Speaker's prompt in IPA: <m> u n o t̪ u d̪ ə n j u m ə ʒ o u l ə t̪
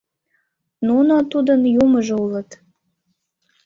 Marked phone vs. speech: incorrect: n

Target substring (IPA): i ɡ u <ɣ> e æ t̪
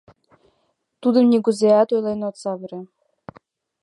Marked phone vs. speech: incorrect: z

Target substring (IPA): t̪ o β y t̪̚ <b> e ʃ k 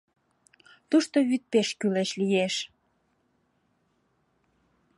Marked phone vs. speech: incorrect: p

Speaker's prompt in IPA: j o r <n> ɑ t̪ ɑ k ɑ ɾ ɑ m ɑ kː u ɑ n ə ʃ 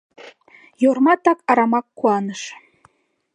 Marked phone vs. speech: incorrect: m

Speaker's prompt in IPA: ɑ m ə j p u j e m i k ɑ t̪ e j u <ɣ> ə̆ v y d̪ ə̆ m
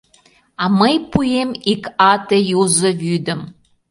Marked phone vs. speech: incorrect: z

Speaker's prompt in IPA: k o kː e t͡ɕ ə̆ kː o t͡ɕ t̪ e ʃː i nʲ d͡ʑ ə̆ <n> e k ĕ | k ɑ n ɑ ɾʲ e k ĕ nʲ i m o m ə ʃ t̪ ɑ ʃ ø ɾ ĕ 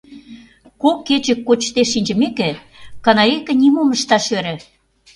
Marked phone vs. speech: incorrect: m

